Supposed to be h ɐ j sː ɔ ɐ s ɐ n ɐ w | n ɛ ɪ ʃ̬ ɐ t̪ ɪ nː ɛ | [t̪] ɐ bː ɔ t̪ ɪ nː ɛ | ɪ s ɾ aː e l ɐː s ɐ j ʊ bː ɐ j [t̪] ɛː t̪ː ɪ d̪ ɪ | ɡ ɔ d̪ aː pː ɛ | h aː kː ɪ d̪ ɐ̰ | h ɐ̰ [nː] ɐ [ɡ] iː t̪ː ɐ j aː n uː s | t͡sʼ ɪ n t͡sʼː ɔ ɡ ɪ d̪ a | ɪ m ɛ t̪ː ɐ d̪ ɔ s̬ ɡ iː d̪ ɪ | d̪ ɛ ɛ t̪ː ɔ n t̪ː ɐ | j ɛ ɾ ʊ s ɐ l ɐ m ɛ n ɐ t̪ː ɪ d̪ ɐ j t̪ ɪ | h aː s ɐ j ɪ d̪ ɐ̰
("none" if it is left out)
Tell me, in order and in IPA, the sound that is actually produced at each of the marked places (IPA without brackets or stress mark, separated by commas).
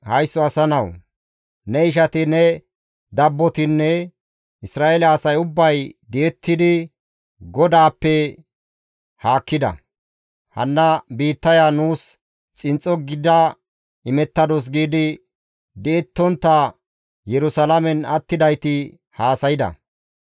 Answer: d̪, d̪, nː, b